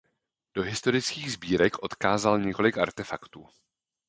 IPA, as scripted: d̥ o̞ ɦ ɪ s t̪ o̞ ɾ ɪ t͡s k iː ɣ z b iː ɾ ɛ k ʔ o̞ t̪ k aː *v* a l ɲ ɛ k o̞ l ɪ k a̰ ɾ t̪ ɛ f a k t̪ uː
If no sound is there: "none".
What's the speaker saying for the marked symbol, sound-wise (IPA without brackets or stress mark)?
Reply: z